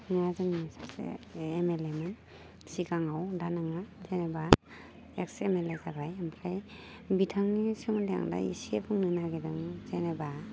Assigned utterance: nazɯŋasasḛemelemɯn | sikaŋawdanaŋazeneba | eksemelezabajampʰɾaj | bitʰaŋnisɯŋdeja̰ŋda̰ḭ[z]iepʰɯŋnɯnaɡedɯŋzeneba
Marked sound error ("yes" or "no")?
yes